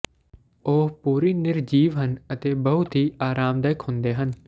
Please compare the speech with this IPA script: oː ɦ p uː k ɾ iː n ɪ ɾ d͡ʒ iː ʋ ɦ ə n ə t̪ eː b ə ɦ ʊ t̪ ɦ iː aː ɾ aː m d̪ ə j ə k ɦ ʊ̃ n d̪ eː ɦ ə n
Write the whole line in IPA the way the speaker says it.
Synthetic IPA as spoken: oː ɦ p uː ɾ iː n ɪ ɾ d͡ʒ iː ʋ ɦ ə n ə t̪ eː b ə ɦ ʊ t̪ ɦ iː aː ɾ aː m d̪ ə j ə k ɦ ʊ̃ n d̪ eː ɦ ə n